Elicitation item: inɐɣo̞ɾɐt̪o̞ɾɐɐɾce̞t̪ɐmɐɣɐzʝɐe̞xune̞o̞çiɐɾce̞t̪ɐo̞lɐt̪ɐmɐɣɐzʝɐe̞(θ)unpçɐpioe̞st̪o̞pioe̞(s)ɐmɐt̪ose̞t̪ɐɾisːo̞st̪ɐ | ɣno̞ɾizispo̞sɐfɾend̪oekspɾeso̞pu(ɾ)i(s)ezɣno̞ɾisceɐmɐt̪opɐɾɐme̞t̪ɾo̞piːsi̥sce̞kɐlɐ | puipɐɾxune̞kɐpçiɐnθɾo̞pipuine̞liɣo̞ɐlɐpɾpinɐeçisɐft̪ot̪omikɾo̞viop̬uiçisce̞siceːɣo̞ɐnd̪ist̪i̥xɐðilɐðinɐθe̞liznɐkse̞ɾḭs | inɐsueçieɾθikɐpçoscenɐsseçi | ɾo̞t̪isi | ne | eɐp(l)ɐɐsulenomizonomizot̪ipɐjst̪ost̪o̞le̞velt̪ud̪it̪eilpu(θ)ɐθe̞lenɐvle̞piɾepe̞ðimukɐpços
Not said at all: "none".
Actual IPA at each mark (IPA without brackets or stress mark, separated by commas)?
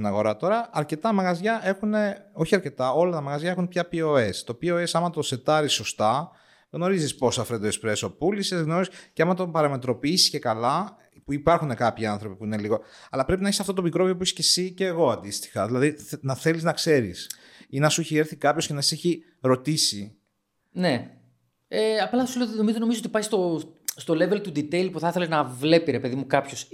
x, s, l, s, l, θ